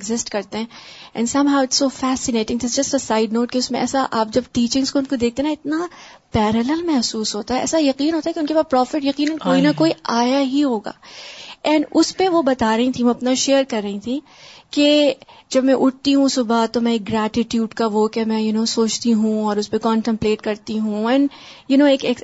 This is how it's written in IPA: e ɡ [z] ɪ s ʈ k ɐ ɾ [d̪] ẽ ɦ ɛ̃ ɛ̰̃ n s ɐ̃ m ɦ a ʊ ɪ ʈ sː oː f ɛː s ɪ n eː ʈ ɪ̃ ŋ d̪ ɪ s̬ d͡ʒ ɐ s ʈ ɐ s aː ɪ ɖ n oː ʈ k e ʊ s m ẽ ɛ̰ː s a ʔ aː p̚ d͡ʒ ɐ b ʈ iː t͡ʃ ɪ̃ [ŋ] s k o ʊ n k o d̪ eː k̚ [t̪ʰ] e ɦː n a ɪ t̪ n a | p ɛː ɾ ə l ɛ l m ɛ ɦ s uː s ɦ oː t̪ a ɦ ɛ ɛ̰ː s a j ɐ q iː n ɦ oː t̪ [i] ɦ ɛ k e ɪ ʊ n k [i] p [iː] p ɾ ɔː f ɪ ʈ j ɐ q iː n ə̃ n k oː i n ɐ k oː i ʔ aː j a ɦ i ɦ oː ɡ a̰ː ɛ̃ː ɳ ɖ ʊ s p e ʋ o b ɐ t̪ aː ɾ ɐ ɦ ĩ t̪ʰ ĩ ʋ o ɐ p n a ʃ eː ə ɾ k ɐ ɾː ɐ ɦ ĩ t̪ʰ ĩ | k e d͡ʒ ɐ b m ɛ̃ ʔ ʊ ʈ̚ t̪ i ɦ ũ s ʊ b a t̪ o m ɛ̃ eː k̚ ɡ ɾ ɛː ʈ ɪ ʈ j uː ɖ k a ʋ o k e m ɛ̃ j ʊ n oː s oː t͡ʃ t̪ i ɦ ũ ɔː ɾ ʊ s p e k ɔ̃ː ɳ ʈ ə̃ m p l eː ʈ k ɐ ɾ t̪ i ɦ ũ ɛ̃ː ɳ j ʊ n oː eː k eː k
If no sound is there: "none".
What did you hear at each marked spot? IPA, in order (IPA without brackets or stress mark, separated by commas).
z, t̪, ŋ, t̪, a, e, aː